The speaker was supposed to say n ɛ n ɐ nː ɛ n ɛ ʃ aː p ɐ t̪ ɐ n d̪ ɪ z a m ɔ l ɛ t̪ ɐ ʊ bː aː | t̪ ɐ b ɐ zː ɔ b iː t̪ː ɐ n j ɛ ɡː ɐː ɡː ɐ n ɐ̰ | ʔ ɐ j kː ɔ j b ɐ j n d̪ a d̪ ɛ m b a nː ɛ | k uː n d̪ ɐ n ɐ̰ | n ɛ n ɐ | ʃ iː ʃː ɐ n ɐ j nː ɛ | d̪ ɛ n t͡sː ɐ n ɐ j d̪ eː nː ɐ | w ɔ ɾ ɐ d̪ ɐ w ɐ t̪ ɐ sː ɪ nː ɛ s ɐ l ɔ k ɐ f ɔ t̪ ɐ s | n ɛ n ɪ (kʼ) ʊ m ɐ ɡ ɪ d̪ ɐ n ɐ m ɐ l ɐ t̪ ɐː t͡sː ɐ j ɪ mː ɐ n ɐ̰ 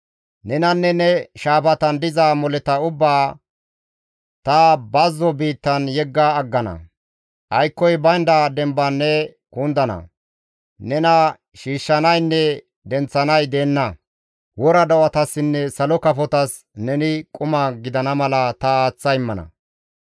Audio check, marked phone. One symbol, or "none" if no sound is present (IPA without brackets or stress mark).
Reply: kʼ